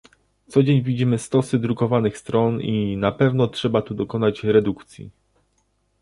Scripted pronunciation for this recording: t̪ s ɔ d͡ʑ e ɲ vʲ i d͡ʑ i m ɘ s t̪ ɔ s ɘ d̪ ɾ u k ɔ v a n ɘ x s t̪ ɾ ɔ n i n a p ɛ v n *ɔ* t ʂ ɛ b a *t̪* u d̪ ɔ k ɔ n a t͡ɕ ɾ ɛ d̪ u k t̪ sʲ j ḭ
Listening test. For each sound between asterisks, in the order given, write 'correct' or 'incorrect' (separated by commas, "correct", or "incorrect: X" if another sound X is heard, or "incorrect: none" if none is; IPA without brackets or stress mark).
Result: correct, correct